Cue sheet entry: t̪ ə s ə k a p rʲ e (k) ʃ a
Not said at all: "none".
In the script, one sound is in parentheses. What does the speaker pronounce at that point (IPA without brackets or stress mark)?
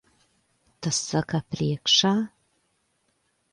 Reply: k